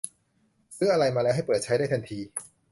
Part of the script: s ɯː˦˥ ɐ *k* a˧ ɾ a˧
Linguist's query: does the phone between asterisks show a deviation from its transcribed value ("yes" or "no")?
yes